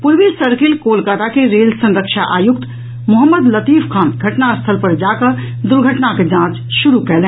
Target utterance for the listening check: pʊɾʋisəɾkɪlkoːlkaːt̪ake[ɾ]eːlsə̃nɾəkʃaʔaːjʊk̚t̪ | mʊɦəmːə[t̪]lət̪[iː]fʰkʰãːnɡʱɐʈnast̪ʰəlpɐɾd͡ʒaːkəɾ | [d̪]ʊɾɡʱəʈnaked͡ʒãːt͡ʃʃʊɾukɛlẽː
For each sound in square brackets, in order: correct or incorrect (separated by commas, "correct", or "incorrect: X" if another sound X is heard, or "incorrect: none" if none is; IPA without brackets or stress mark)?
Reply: correct, incorrect: d̪, correct, correct